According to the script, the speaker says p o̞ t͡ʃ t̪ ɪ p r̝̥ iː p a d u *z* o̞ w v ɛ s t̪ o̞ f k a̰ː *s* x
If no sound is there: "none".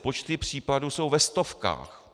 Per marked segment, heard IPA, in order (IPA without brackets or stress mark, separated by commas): s, none